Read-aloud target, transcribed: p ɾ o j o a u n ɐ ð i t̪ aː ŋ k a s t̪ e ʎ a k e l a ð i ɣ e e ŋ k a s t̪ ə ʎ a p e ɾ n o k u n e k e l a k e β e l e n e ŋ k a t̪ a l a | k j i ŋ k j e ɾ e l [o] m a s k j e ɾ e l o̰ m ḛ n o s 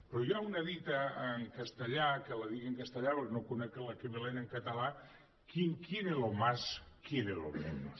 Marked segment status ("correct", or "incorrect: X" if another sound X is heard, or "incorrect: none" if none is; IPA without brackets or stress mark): correct